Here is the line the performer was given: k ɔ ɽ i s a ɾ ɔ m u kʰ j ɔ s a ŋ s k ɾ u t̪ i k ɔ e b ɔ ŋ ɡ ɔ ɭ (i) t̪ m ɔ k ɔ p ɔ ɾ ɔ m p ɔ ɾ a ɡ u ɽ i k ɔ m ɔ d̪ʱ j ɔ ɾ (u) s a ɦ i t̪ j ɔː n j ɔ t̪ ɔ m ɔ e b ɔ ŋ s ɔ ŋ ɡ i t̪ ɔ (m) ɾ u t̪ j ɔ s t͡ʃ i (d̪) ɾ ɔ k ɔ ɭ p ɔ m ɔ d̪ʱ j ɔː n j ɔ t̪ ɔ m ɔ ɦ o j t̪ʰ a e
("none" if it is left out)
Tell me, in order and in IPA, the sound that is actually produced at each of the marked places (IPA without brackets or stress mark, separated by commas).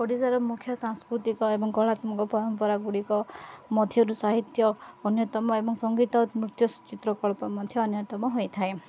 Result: a, u, m, t̪